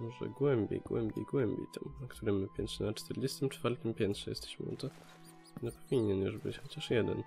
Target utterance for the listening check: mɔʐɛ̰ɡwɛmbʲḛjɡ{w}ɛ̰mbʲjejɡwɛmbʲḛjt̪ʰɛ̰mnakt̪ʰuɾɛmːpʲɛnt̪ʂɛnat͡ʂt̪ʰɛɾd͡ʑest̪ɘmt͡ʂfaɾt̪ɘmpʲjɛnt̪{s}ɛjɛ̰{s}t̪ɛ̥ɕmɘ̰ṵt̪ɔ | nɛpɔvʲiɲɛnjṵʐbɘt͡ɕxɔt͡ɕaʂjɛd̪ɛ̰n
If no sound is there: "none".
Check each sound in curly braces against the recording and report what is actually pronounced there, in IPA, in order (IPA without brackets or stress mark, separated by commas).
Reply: w, ʂ, s